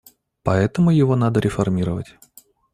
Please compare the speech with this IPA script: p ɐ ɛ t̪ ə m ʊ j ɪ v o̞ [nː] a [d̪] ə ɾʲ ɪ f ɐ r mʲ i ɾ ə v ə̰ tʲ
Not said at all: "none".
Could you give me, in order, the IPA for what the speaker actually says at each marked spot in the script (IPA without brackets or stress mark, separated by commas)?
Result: n, d̪